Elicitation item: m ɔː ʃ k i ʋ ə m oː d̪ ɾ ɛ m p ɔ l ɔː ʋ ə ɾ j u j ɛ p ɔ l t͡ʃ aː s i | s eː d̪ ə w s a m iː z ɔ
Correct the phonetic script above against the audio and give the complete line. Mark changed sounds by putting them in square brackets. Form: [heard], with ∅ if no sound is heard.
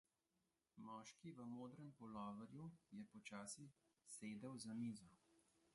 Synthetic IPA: m ɔː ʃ k i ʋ ə m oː d̪ ɾ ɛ m p ɔ l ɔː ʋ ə ɾ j u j ɛ p ɔ [∅] t͡ʃ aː s i | s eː d̪ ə w [z] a m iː z ɔ